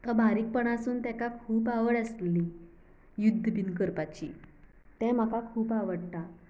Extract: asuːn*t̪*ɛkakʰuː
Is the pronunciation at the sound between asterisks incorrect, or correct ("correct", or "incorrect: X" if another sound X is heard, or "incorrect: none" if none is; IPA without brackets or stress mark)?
correct